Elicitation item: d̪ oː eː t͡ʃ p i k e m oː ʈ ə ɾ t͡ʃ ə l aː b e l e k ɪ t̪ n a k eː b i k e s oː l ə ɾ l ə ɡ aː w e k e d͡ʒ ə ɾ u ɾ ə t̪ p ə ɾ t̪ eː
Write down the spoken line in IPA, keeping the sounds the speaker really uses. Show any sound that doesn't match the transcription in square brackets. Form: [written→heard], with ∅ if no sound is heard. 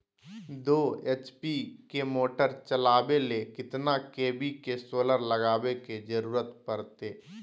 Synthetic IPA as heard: d̪ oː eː t͡ʃ p i k e m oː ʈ ə ɾ t͡ʃ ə l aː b e l e k ɪ t̪ n a k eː b i k e s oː l ə ɾ l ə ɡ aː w e k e d͡ʒ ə ɾ [u→uː] ɾ ə t̪ p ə ɾ t̪ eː